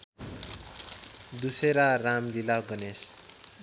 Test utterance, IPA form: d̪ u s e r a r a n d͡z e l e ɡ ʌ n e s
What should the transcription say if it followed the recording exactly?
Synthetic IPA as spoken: d̪ u s e ɾ a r a m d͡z i l a ɡ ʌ n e s